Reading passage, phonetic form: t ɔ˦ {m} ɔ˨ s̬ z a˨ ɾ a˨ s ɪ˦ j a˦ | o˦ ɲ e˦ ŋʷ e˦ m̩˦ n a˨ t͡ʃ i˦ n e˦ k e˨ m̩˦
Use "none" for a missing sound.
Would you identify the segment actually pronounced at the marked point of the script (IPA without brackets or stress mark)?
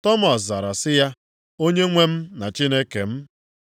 m